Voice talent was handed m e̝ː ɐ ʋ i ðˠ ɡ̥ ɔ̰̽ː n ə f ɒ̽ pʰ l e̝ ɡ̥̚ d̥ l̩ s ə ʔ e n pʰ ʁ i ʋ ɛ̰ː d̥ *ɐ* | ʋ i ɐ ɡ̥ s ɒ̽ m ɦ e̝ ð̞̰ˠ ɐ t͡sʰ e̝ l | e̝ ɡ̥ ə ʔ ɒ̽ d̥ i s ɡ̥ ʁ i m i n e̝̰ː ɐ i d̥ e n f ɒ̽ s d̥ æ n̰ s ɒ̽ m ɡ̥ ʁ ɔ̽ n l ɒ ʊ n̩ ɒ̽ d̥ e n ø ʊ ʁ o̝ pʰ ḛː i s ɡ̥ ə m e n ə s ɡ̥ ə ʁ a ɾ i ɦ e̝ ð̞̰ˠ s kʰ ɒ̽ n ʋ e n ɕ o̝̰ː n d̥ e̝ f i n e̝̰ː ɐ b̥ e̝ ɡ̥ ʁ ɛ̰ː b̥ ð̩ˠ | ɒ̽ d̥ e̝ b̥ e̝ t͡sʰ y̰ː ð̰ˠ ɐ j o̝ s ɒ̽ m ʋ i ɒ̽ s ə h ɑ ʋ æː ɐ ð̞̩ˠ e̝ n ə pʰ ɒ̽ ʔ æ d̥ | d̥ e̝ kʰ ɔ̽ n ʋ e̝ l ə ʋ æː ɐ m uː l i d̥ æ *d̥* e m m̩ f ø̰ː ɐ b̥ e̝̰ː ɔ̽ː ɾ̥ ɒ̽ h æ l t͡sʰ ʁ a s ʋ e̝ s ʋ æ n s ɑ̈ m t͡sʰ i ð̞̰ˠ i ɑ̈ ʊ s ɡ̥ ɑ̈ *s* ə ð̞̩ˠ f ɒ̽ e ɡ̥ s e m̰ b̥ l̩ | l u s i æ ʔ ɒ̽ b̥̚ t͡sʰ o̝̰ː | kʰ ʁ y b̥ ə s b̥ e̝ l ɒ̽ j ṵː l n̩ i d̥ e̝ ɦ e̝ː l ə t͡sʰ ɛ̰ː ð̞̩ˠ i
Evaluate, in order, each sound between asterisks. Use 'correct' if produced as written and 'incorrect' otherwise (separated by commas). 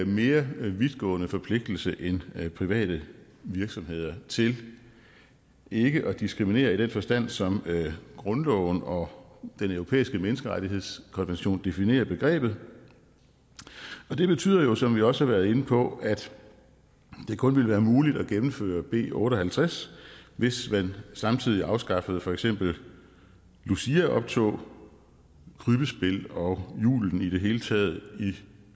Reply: incorrect, incorrect, incorrect